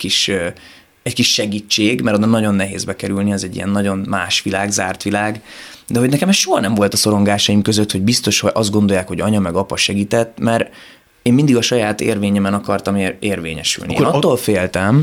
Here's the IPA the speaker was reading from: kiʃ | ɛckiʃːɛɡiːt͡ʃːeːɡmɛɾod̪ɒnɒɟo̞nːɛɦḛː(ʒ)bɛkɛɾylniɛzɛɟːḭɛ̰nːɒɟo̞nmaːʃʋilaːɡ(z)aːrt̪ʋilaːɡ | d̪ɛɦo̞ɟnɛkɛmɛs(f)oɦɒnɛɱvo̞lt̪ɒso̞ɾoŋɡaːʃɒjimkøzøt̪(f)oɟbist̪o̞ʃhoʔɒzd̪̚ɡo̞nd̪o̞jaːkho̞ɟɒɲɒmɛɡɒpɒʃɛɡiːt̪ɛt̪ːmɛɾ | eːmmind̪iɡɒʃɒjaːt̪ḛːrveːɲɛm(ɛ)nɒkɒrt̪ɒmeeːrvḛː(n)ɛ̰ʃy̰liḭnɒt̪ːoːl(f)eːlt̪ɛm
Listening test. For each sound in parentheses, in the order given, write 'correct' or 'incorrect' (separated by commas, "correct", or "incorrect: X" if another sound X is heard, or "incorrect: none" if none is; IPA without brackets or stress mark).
incorrect: z, correct, incorrect: ʃ, incorrect: h, correct, incorrect: ɲ, correct